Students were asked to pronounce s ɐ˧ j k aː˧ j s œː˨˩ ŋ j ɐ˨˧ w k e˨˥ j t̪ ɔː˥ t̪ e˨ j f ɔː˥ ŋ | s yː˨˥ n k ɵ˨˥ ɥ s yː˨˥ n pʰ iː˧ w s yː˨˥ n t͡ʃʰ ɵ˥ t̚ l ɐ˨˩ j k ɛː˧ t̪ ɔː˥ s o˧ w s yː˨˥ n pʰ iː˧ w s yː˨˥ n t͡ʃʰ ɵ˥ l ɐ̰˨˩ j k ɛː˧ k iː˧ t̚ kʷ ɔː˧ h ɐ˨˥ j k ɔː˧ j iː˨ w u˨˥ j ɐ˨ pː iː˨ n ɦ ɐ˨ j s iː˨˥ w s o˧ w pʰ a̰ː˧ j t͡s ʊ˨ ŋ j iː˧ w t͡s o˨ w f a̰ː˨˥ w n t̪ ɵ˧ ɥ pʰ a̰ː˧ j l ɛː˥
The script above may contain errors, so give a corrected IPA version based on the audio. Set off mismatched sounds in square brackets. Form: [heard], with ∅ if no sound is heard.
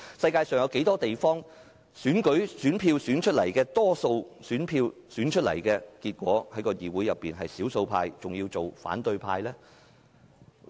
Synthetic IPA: s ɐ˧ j k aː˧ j s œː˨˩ ŋ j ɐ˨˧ w k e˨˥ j t̪ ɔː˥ t̪ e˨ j f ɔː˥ ŋ | s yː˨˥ n k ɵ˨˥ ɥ s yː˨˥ n pʰ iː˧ w s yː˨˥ n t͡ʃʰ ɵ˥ t̚ l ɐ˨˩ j k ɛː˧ t̪ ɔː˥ s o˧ w s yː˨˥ n pʰ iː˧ w s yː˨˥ n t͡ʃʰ ɵ˥ l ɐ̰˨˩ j k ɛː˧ k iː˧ t̚ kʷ [ɔː˨˥] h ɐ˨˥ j k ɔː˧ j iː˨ w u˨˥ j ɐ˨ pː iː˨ n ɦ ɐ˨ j s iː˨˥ w s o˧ w pʰ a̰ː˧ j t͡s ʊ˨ ŋ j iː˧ w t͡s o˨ w f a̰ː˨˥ [∅] n t̪ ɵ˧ ɥ pʰ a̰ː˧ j l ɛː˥